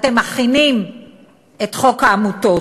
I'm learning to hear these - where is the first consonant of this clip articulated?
tongue tip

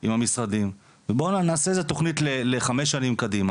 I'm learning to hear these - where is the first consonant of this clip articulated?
lips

